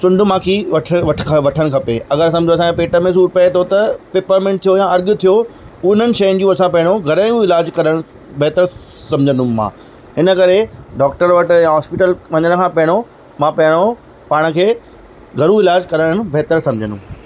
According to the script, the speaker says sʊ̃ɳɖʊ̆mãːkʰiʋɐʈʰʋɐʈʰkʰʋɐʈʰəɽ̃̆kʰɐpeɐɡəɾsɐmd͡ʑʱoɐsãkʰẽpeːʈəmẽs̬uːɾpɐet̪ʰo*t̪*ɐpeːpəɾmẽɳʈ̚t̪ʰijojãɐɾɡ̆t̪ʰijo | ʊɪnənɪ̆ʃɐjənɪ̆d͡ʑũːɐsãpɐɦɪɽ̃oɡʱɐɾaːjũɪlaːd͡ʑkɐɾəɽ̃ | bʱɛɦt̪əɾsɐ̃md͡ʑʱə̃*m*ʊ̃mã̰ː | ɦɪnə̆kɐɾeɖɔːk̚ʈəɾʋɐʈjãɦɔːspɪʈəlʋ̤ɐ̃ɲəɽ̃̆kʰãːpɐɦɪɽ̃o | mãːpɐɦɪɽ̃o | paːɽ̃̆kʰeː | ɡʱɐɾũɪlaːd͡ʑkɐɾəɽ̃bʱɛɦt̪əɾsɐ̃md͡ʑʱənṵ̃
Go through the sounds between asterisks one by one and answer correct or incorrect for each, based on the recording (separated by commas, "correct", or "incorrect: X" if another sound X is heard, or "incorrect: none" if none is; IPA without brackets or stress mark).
correct, incorrect: n